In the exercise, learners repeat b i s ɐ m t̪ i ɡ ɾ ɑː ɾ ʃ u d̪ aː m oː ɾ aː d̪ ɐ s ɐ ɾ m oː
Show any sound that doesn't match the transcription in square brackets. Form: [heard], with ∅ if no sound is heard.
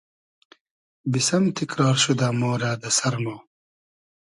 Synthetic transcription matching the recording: b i s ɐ m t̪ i [k] ɾ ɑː ɾ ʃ u d̪ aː m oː ɾ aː d̪ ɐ s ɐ ɾ m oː